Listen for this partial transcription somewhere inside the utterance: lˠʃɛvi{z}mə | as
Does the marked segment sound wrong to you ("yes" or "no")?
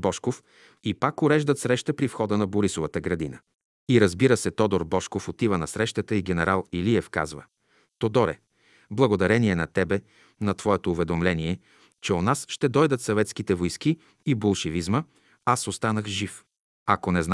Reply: no